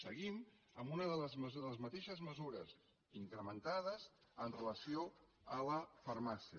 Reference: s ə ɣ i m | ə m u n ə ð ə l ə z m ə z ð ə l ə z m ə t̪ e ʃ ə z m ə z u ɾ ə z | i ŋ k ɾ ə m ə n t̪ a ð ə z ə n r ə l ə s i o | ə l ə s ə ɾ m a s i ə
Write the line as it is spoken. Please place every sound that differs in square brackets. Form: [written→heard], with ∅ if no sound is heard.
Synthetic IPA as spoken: s ə ɣ i m | ə m u n ə ð ə l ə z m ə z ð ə l ə z m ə t̪ e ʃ ə z m ə z u ɾ ə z | i ŋ k ɾ ə m ə n t̪ a ð ə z ə n r ə l ə s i o | ə l ə [s→f] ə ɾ m a s i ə